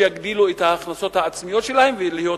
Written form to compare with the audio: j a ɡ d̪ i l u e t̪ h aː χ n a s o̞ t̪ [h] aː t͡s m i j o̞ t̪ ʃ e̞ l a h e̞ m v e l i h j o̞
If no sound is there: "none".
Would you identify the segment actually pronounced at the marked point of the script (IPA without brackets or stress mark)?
h